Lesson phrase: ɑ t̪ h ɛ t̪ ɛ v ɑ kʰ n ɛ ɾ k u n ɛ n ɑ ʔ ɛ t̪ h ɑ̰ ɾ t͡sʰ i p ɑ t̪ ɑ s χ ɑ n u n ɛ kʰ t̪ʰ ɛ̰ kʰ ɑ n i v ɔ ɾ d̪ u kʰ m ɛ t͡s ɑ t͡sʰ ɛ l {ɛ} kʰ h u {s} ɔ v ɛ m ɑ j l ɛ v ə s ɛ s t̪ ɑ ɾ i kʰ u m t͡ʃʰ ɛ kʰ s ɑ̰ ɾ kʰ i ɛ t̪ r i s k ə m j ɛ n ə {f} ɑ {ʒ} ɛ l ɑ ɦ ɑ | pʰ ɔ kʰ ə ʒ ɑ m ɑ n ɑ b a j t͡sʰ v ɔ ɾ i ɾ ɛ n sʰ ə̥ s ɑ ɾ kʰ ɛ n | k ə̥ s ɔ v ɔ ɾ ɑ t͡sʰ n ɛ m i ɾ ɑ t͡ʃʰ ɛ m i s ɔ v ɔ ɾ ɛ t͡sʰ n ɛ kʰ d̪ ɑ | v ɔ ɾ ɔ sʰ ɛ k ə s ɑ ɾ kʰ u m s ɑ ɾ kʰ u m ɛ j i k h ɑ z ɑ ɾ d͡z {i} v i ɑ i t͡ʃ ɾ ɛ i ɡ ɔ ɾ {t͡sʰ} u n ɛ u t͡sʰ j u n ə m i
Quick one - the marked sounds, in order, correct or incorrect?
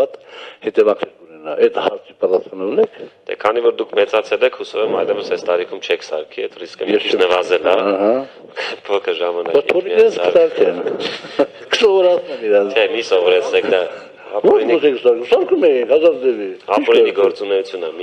correct, correct, incorrect: v, incorrect: z, incorrect: ɛ, incorrect: t͡s

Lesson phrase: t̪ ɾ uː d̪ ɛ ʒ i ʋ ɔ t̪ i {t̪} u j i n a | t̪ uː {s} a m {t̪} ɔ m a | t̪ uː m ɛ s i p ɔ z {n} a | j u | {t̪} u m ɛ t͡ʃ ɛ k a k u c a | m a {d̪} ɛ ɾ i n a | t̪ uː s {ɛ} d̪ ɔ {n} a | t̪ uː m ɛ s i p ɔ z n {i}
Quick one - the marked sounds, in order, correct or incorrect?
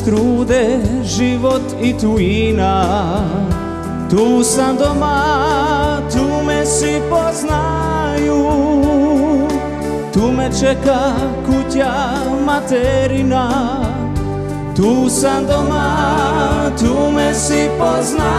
correct, correct, incorrect: d̪, correct, correct, incorrect: t̪, incorrect: a, incorrect: m, incorrect: a

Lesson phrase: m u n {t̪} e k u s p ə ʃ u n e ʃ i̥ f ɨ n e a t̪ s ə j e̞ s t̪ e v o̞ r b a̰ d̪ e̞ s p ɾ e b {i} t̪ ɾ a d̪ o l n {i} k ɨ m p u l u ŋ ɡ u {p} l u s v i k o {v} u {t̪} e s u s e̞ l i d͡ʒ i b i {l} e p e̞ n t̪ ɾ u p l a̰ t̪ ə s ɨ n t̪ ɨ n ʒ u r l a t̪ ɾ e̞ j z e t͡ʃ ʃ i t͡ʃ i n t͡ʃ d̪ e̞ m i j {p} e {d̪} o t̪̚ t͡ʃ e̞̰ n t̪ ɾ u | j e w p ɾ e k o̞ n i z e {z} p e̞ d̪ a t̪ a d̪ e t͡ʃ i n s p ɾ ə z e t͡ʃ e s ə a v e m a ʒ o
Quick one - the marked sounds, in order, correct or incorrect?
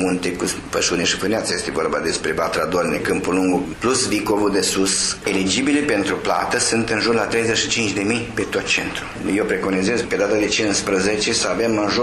correct, incorrect: a, incorrect: e, correct, correct, incorrect: d̪, correct, correct, incorrect: t̪, correct

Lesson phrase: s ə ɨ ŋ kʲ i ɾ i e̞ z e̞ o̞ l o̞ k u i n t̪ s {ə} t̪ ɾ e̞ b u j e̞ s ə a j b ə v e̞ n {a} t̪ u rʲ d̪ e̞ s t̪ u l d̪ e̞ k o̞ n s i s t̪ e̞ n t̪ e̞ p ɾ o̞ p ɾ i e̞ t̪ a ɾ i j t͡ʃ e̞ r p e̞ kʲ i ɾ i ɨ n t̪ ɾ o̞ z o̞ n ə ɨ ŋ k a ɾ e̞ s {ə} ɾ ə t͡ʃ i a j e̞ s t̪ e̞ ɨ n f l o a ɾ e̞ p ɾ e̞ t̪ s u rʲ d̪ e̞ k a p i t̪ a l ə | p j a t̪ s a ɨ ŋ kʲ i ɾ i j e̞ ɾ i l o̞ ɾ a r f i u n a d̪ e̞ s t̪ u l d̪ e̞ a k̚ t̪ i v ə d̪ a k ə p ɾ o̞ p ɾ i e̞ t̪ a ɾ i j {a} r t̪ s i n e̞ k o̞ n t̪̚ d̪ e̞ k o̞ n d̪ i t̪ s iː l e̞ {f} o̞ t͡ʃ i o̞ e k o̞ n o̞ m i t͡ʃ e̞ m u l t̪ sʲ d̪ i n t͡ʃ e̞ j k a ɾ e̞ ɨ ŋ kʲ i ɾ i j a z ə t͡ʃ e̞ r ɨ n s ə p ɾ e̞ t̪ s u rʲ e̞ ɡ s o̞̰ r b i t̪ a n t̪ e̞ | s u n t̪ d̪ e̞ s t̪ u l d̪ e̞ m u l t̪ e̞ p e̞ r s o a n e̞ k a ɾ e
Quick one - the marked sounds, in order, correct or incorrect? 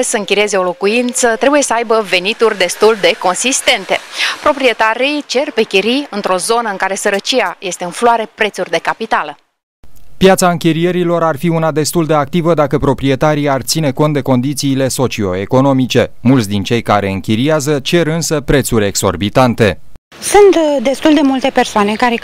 correct, incorrect: i, correct, correct, incorrect: s

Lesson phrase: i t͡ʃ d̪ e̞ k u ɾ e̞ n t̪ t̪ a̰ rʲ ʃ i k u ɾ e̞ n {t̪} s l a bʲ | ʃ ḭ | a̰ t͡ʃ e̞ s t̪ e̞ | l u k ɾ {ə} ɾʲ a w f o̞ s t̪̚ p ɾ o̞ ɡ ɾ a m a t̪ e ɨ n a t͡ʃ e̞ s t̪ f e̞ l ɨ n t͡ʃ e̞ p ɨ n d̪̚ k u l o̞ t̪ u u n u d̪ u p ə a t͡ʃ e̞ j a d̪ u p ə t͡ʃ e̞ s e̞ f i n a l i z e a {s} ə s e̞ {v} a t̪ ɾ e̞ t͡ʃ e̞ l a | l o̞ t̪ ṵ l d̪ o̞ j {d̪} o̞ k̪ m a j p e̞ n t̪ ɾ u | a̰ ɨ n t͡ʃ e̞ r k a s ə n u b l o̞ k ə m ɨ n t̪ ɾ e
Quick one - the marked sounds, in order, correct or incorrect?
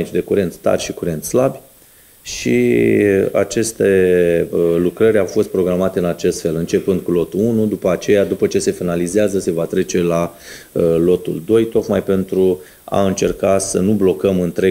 correct, correct, incorrect: z, correct, incorrect: t̪

